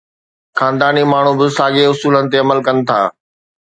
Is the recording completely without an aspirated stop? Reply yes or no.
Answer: no